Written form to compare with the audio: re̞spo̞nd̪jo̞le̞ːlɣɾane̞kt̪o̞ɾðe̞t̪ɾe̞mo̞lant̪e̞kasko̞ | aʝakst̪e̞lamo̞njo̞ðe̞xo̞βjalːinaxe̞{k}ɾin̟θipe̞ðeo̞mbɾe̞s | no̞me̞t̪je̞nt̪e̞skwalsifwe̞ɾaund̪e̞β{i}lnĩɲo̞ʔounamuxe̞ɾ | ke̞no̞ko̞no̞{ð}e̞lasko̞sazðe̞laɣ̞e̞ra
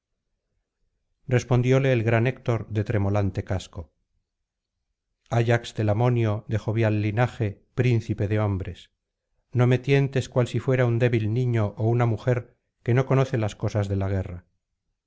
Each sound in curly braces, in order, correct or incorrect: incorrect: p, correct, incorrect: θ

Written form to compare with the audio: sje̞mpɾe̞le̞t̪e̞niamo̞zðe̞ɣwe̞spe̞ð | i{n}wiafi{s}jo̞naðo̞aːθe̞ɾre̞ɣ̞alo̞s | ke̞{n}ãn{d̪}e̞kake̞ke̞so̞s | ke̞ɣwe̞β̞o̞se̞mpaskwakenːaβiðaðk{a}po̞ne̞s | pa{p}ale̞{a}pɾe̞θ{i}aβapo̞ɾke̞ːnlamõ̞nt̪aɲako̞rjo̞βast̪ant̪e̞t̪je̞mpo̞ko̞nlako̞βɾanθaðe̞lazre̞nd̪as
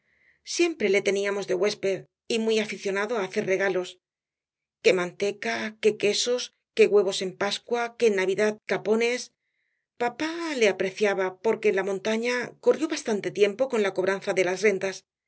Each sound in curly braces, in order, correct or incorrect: incorrect: m, incorrect: θ, incorrect: m, incorrect: t̪, correct, correct, correct, incorrect: j

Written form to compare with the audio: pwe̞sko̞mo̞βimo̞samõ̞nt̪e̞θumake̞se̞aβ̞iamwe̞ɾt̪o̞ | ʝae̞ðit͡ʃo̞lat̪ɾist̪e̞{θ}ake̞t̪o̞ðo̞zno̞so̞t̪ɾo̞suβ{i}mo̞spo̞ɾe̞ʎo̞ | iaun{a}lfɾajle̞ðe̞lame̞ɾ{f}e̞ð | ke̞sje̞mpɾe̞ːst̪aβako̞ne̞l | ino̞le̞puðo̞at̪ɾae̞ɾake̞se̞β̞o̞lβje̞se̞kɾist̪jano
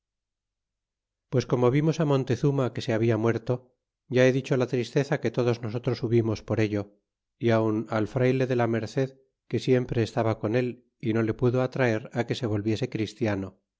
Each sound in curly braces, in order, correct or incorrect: correct, correct, correct, incorrect: θ

